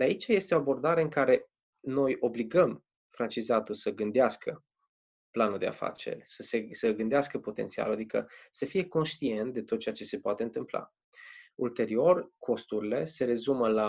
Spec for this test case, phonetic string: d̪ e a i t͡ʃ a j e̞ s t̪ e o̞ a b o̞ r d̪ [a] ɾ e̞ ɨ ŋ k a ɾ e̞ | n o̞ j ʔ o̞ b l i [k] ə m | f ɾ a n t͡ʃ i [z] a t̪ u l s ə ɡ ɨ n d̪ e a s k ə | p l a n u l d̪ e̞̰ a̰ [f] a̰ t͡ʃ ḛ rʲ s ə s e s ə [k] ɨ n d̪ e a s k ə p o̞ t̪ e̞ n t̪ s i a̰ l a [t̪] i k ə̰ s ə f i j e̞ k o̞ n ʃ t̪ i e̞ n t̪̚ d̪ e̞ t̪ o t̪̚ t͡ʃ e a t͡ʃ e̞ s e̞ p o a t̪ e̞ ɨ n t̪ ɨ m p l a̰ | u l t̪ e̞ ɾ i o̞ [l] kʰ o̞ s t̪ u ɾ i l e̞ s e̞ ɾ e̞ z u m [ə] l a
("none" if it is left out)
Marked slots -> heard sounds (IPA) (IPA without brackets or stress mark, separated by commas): a, ɡ, z, f, ɡ, d̪, r, ə